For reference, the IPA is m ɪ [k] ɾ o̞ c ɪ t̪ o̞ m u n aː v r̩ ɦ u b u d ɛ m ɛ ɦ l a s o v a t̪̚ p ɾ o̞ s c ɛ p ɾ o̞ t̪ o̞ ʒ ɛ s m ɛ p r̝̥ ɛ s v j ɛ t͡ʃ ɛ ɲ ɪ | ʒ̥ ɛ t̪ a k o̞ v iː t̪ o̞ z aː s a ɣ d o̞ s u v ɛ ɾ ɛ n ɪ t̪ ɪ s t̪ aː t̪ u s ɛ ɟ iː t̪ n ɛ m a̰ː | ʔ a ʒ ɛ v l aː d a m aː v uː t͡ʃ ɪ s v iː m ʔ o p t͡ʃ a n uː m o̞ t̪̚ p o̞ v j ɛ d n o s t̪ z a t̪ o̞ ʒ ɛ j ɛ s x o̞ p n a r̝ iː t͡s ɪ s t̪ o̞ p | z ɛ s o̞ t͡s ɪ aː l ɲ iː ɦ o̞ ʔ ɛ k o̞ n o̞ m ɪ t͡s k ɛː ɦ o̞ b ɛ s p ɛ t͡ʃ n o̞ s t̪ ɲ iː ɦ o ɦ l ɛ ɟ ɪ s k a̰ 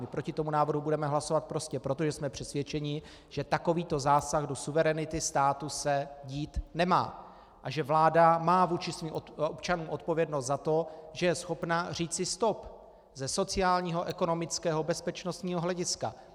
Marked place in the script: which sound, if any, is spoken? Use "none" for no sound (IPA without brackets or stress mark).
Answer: p